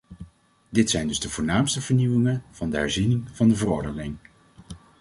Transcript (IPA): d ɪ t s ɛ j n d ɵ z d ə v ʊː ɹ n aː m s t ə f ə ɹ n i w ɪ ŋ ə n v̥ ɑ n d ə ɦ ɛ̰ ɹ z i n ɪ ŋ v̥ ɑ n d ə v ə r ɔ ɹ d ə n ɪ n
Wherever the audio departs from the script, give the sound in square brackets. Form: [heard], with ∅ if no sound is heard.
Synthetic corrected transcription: d ɪ t s ɛ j n d ɵ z d ə v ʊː ɹ n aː m s t ə [v] ə ɹ n i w ɪ ŋ ə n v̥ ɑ n d ə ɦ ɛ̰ ɹ z i n ɪ ŋ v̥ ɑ n d ə v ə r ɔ ɹ d ə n ɪ [ŋ]